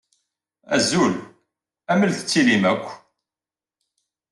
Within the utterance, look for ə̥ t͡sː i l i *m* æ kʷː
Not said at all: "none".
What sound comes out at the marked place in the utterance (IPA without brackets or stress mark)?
m